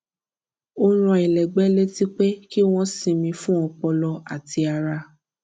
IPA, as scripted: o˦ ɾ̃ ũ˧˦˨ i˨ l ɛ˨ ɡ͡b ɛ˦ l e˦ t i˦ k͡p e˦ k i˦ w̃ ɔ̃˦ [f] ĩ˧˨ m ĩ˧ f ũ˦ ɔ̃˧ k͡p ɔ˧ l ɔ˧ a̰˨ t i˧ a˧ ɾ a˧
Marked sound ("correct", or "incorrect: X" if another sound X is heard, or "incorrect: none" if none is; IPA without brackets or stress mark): incorrect: s